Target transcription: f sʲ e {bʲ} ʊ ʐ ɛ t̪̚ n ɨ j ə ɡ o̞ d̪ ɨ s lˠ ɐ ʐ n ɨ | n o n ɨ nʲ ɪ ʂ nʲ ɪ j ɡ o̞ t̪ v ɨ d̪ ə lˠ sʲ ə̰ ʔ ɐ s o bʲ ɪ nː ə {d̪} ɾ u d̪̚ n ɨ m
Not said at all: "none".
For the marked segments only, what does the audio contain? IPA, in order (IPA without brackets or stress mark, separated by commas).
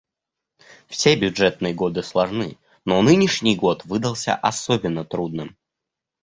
bʲ, t̪